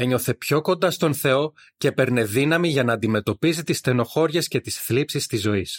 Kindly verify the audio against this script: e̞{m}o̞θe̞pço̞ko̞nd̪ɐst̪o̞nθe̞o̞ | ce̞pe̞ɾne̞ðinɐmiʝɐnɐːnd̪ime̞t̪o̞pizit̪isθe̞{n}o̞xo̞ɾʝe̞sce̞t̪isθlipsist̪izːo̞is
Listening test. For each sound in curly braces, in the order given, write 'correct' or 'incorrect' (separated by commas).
incorrect, correct